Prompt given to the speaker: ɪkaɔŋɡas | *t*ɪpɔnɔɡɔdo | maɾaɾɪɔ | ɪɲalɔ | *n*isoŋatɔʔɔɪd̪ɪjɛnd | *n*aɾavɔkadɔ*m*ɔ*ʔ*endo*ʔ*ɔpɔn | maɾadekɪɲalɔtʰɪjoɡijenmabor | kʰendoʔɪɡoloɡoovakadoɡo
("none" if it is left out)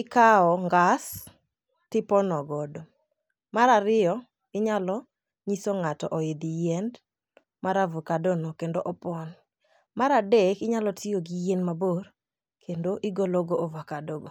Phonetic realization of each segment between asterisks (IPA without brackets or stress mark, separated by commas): t, ɲ, m, n, k, ʔ